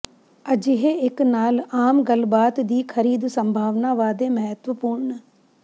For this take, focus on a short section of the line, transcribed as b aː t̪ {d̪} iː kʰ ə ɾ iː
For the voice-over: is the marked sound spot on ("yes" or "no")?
yes